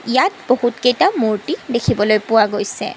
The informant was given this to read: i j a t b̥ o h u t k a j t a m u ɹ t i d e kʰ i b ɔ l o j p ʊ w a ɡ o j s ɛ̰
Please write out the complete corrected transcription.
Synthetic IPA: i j a t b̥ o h u t k e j t a m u ɹ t i d e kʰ i b ɔ l o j p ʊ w a ɡ o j s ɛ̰